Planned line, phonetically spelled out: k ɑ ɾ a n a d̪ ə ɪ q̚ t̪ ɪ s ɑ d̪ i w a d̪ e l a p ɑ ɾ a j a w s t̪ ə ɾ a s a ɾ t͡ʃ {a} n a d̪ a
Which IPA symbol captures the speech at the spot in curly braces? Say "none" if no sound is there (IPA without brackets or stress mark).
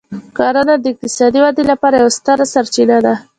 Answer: i